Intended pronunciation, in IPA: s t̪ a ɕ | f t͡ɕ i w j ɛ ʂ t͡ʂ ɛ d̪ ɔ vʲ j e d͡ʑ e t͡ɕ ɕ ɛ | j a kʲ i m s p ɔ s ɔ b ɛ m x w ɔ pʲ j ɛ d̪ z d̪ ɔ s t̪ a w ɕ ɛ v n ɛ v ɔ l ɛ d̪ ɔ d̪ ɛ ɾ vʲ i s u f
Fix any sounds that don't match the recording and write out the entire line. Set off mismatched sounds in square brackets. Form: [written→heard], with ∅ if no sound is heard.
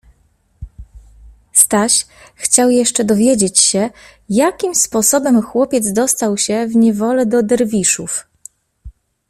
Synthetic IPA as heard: s t̪ a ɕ | [f→x] t͡ɕ [i→a] w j ɛ ʂ t͡ʂ ɛ d̪ ɔ vʲ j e d͡ʑ e t͡ɕ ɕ ɛ | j a kʲ i m s p ɔ s ɔ b ɛ m x w ɔ pʲ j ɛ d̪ z d̪ ɔ s t̪ a w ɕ ɛ v [n→ɲ] ɛ v ɔ l ɛ d̪ ɔ d̪ ɛ ɾ vʲ i [s→ʂ] u f